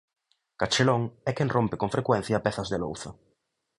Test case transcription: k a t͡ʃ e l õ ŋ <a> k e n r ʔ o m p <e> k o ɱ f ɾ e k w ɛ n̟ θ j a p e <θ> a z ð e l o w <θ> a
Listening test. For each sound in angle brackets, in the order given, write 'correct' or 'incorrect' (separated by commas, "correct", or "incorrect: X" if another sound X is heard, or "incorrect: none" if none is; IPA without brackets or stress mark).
incorrect: ɛ, correct, correct, correct